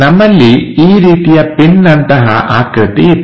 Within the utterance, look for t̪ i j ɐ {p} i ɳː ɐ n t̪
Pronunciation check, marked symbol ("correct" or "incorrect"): correct